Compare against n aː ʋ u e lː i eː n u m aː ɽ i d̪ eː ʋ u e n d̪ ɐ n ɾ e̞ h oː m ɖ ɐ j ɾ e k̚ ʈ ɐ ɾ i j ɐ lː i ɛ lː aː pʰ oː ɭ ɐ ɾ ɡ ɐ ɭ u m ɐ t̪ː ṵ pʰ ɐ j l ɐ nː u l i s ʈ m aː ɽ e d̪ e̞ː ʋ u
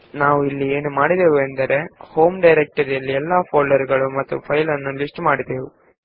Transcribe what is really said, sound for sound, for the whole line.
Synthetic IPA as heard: n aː ʋ u i lː i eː n u m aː ɽ i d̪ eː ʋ u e n d̪ ɐ ɾ e̞ h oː m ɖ ɐ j ɾ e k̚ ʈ ɐ ɾ i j ɐ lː i ɛ lː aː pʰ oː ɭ ɐ ɾ ɡ ɐ ɭ u m ɐ t̪ː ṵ pʰ ɐ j l ɐ nː u l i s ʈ m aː ɽ i d̪ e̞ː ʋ u

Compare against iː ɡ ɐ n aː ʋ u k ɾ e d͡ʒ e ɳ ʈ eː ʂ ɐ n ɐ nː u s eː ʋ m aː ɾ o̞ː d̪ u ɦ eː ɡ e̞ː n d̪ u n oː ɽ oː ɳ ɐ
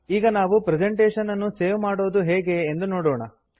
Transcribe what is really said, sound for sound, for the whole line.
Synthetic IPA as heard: iː ɡ ɐ n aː ʋ u p ɾ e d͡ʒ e ɳ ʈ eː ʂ ɐ n ɐ nː u s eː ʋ m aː ɽ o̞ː d̪ u ɦ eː ɡ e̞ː n d̪ u n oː ɽ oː ɳ ɐ

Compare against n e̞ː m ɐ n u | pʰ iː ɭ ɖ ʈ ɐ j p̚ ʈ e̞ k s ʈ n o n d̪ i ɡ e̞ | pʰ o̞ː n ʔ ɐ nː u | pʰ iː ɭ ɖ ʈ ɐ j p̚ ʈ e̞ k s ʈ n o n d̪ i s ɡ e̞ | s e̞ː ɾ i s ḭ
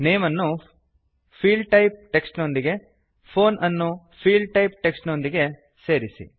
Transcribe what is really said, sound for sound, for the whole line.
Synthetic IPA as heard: n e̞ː m ɐ nː u | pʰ iː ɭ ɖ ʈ ɐ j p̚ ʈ e̞ k s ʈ n o n d̪ i ɡ e̞ | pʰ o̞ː n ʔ ɐ nː u | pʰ iː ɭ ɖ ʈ ɐ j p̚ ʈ e̞ k s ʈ n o n d̪ i ɡ e̞ | s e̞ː ɾ i s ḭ

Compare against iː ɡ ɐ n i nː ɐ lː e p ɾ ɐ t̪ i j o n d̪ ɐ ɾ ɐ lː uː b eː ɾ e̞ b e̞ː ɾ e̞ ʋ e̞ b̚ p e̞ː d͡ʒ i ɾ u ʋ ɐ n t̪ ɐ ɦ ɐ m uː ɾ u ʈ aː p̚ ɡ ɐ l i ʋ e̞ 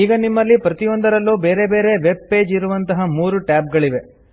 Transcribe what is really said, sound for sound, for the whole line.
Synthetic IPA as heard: iː ɡ ɐ n i mː ɐ lː i p ɾ ɐ t̪ i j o n d̪ ɐ ɾ ɐ lː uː b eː ɾ e̞ b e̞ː ɾ e̞ ʋ e̞ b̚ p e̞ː d͡ʒ i ɾ u ʋ ɐ n t̪ ɐ ɦ ɐ m uː ɾ u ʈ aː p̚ ɡ ɐ ɭ i ʋ e̞

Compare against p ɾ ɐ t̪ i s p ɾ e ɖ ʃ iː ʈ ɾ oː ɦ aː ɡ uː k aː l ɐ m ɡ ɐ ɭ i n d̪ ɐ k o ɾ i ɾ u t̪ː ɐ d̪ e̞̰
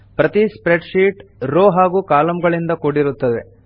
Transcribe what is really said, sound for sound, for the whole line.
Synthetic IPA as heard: p ɾ ɐ t̪ i s p ɾ e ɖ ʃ iː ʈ ɾ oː ɦ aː ɡ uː k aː l ɐ m ɡ ɐ ɭ i n d̪ ɐ k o ɽ i ɾ u t̪ː ɐ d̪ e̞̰

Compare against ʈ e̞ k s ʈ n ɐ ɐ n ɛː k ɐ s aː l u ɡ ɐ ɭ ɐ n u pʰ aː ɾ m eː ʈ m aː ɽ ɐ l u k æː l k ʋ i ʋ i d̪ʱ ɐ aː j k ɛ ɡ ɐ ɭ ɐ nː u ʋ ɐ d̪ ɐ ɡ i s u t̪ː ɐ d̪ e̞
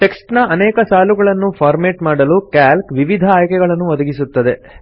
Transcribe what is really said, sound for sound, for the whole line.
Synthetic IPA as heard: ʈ e̞ k s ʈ n ɐ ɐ n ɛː k ɐ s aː l u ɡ ɐ ɭ ɐ nː u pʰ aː ɾ m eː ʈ m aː ɽ ɐ l u k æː l k ʋ i ʋ i d̪ʱ ɐ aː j k ɛ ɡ ɐ ɭ ɐ nː u ʋ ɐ d̪ ɐ ɡ i s u t̪ː ɐ d̪ e̞

